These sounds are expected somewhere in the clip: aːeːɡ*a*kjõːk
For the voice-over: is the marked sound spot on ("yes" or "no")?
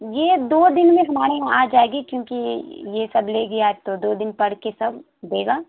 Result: no